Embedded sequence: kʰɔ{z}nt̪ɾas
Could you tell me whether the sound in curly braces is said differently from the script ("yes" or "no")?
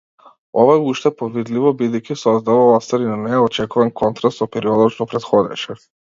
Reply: yes